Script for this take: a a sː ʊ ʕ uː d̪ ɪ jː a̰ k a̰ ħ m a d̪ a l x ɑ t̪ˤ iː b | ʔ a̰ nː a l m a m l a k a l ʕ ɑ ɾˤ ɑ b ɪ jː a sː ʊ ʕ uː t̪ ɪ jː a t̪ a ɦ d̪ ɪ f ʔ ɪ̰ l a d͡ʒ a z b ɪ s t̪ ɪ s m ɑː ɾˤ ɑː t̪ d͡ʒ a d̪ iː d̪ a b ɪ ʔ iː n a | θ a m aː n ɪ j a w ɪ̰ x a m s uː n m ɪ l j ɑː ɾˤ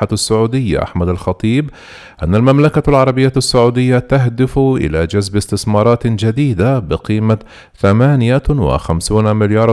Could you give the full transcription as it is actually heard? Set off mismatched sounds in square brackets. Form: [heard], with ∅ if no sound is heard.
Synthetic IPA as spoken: a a sː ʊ ʕ uː d̪ ɪ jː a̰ [ʔ] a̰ ħ m a d̪ a l x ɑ t̪ˤ iː b | ʔ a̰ nː a l m a m l a k a l ʕ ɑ ɾˤ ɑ b ɪ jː a sː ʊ ʕ uː [d̪] ɪ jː a t̪ a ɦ d̪ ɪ f ʔ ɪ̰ l a d͡ʒ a z b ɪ s t̪ ɪ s m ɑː ɾˤ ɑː t̪ d͡ʒ a d̪ iː d̪ a b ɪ [q] iː [m] a | θ a m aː n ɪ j a w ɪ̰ x a m s uː n m ɪ l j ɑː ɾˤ